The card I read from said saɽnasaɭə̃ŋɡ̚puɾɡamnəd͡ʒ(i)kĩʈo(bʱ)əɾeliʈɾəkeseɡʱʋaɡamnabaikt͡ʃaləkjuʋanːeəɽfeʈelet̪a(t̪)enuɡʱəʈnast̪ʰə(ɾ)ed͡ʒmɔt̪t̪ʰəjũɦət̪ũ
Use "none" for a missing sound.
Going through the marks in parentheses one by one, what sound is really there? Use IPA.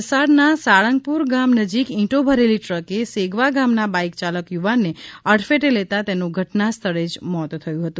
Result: i, bʱ, t̪, ɭ

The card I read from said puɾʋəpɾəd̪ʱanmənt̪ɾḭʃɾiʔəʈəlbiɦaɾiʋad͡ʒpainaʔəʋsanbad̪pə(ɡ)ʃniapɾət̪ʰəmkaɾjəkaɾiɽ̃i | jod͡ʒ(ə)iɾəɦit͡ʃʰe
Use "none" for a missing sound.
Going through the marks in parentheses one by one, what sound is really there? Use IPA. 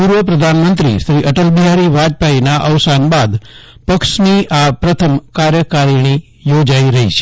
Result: k, a

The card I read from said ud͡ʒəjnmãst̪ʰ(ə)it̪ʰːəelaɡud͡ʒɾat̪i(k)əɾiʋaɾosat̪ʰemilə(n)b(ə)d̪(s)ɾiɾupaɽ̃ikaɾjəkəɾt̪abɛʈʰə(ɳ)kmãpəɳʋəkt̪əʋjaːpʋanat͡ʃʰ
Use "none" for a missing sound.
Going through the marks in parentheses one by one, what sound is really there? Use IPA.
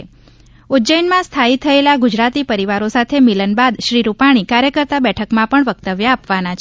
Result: a, p, n, a, ʃ, none

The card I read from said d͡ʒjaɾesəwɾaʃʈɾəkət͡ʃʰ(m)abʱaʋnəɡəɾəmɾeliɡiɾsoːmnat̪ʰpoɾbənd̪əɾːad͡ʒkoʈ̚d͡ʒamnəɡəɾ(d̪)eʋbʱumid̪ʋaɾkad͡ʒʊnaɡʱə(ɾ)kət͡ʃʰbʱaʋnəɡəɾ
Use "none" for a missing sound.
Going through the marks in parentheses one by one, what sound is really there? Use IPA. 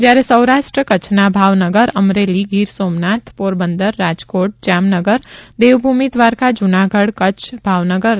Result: n, d̪, ɽ

